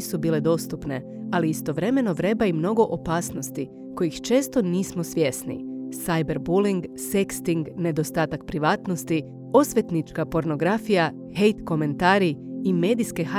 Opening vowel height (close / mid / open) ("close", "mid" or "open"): close